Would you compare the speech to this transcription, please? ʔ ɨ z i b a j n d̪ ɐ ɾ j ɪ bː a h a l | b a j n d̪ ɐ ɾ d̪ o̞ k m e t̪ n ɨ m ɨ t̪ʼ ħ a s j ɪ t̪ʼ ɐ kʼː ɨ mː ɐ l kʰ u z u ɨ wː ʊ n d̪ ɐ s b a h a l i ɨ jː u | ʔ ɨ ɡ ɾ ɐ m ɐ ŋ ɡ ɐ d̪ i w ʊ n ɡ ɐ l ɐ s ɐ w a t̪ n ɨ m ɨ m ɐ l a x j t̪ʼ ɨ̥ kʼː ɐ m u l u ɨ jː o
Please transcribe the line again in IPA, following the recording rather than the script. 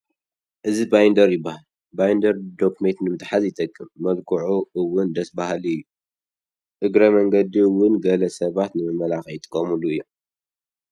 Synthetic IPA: ʔ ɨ z i b a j n d̪ ɐ ɾ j ɪ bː a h a l | b a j n d̪ ɐ ɾ d̪ o̞ k m e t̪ n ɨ m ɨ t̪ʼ ħ a z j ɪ t̪ʼ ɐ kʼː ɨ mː ɐ l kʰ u ʕ u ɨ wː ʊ n d̪ ɐ s b a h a l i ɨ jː u | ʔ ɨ ɡ ɾ ɐ m ɐ ŋ ɡ ɐ d̪ i w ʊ n ɡ ɐ l ɐ s ɐ β a t̪ n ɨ m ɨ m ɐ l a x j t̪ʼ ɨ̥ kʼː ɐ m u l u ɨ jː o